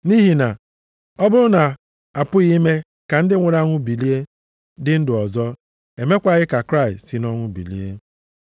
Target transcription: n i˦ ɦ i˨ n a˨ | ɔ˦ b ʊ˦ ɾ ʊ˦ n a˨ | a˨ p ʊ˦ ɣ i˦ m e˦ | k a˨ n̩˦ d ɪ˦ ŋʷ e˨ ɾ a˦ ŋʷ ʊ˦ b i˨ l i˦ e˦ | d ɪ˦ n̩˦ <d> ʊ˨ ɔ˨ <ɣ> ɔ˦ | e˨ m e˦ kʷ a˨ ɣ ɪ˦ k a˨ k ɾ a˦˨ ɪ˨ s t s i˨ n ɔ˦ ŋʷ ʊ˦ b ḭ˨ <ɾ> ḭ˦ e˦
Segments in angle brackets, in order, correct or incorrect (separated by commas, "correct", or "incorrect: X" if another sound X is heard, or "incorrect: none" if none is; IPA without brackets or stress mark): correct, incorrect: z, incorrect: l